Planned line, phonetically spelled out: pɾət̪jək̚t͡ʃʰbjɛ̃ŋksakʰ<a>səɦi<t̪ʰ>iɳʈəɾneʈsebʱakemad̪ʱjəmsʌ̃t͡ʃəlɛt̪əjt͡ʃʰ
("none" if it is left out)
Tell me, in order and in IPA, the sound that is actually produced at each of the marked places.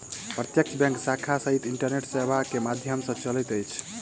a, t̪

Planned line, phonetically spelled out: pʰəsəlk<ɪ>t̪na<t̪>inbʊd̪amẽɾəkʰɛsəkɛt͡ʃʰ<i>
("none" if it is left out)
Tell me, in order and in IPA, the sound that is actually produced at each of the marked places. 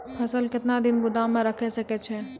ɪ, d̪, ɛ

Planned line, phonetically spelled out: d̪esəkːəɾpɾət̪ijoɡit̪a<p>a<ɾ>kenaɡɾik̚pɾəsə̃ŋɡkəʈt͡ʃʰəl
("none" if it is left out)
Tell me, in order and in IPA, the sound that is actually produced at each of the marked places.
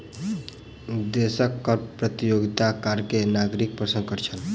k, ɾ

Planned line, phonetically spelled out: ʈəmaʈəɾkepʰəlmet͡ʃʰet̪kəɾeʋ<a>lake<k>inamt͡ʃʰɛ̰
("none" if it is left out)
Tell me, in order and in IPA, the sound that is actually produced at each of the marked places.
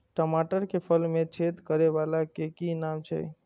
a, k

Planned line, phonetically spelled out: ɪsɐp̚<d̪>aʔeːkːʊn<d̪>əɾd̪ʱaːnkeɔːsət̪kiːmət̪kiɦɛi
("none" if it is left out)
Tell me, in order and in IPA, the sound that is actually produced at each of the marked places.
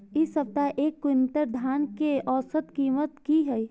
t̪, t̪

